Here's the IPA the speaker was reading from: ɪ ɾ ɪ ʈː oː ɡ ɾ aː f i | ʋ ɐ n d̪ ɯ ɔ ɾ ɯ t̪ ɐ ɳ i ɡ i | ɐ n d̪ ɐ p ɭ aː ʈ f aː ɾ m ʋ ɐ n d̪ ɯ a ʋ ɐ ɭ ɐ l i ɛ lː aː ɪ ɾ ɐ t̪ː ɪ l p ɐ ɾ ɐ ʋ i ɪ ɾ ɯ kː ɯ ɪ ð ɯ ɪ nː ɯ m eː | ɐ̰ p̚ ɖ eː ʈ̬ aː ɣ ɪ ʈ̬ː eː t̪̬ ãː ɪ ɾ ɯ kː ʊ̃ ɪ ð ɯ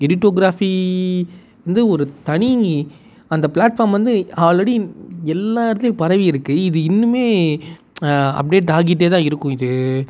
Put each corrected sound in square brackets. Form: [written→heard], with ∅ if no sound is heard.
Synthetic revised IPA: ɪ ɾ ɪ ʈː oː ɡ ɾ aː f i | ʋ ɐ n d̪ ɯ ɔ ɾ ɯ t̪ ɐ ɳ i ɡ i | ɐ n d̪ ɐ p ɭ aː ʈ f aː ɾ m ʋ ɐ n d̪ ɯ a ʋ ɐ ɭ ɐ [l→ɽ] i ɛ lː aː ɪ ɾ ɐ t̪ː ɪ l p ɐ ɾ ɐ ʋ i ɪ ɾ ɯ kː ɯ ɪ ð ɯ ɪ nː ɯ m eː | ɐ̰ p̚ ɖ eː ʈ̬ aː ɣ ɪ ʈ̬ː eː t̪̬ ãː ɪ ɾ ɯ kː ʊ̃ ɪ ð ɯ